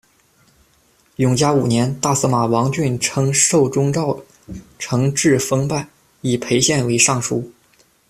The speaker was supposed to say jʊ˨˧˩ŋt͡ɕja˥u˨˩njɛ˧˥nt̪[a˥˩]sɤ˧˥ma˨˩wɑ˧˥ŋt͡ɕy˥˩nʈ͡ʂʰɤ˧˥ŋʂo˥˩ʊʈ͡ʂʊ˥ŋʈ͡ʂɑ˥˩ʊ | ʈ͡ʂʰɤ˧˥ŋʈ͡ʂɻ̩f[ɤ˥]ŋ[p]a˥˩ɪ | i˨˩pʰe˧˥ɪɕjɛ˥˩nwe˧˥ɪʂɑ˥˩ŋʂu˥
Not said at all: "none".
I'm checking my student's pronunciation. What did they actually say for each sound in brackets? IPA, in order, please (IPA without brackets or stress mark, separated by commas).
a˥˩, ɤ˥, p